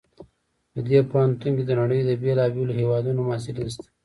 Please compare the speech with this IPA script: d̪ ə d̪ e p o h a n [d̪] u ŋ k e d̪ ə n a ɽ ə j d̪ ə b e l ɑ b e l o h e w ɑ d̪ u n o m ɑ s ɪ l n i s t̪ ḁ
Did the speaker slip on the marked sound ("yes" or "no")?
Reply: yes